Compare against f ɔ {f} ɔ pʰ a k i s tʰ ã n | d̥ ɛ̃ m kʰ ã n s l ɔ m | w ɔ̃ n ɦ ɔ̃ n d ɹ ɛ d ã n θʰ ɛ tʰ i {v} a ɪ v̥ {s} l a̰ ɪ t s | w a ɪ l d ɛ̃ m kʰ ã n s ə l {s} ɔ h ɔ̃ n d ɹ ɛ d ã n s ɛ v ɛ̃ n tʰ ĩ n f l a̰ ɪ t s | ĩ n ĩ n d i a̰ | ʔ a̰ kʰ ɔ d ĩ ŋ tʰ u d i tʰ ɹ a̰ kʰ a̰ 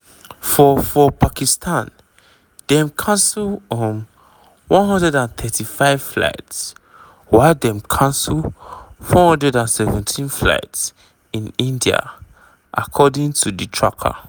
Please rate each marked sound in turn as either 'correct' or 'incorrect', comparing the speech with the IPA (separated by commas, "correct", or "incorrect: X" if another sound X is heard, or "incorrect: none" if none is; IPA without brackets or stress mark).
correct, incorrect: f, incorrect: f, incorrect: f